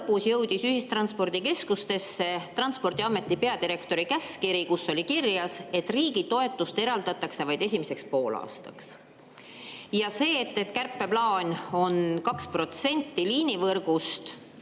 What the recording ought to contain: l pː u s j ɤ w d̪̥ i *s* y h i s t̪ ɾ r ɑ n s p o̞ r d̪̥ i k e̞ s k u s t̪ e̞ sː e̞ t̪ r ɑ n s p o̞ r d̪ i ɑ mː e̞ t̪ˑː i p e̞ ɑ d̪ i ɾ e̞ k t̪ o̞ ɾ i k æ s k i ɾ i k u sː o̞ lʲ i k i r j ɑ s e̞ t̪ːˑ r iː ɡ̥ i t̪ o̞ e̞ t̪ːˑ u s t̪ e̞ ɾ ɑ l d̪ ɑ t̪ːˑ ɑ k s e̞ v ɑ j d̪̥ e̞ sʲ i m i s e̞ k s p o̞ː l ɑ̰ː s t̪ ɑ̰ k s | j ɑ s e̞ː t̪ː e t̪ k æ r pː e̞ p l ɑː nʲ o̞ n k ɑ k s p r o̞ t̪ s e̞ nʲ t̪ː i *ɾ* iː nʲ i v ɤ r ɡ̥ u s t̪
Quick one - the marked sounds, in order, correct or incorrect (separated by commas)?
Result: correct, incorrect